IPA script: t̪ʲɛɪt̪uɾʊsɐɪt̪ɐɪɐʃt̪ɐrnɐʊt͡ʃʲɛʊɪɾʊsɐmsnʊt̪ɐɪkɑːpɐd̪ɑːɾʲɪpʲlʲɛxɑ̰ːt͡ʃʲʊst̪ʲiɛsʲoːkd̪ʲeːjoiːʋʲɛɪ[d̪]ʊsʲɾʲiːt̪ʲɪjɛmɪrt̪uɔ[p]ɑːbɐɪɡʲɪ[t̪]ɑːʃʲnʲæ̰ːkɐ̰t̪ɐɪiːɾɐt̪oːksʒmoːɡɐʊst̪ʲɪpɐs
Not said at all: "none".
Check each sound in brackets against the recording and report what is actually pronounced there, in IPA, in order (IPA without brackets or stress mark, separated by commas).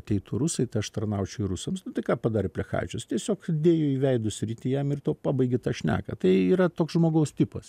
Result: d̪, p, t̪